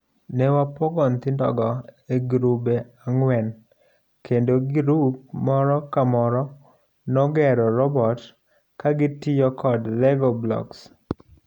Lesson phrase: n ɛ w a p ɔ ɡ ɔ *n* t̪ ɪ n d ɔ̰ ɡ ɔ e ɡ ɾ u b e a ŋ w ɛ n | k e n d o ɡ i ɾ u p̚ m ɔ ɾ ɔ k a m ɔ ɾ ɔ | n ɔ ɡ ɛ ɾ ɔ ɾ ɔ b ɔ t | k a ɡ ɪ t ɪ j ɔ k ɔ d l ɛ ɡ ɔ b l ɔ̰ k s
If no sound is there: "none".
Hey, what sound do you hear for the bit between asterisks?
n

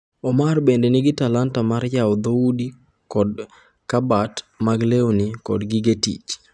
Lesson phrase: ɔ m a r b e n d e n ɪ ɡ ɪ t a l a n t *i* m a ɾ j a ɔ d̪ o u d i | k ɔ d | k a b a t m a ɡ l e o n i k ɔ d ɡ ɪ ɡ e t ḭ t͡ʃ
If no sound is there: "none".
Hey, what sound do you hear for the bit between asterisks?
a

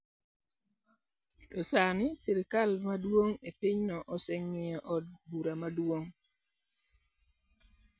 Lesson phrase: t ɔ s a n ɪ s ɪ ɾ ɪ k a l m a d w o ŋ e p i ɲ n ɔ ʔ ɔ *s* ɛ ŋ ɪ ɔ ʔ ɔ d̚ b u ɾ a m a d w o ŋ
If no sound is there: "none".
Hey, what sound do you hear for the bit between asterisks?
s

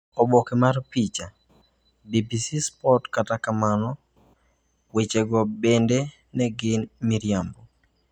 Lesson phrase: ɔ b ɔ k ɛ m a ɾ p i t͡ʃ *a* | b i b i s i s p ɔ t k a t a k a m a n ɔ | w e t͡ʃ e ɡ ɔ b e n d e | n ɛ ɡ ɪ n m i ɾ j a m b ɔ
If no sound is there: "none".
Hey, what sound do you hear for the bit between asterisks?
a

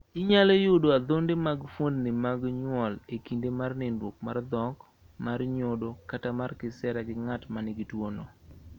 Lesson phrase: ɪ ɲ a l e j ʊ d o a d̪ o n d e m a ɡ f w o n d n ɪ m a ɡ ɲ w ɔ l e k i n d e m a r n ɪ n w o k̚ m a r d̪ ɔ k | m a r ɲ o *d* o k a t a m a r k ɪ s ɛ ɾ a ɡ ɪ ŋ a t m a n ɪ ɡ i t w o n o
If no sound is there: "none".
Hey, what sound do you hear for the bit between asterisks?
d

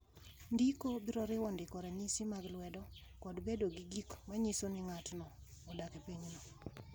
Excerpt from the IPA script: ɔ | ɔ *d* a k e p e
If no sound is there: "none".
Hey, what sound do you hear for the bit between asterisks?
d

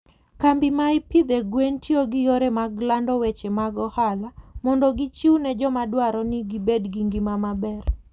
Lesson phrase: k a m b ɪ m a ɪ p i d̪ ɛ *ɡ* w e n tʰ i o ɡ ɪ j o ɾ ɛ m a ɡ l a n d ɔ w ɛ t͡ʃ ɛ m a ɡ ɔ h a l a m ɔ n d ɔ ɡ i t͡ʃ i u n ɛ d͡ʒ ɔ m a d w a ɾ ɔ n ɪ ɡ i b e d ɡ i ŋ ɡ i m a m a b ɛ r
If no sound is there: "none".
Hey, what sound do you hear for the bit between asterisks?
ɡ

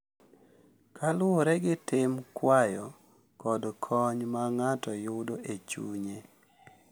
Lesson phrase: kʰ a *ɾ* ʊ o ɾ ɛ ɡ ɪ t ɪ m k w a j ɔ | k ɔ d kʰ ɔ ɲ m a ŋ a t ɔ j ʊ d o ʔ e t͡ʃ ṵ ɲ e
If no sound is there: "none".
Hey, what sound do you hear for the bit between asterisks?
l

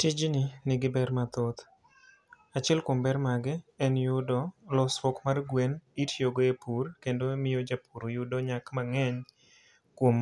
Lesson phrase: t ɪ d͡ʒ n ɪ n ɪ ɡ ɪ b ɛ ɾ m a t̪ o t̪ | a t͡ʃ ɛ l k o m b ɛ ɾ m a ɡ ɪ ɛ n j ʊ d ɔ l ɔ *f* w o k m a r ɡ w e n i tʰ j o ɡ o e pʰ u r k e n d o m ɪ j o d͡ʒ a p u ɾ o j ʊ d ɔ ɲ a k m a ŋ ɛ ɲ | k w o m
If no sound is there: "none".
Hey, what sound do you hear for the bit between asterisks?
s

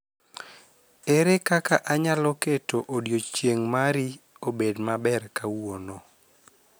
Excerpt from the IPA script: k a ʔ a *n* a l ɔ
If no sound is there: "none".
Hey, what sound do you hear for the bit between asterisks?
ɲ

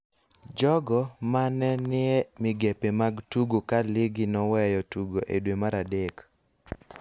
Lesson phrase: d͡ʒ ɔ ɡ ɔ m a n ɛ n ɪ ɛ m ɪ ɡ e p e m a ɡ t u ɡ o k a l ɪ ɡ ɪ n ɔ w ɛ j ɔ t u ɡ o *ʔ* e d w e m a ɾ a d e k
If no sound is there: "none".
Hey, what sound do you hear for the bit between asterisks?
ʔ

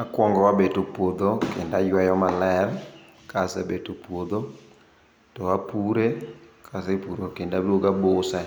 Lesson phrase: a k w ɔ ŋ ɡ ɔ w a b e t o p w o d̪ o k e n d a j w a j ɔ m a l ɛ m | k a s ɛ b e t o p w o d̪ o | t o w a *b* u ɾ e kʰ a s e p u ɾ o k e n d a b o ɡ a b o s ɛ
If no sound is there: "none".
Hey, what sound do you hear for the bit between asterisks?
p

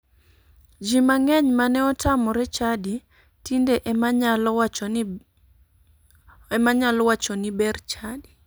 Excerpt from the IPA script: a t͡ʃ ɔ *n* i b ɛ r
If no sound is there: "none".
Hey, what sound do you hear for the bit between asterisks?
n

